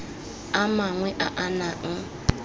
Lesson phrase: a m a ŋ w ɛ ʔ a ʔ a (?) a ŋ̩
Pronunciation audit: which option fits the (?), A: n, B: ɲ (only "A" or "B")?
A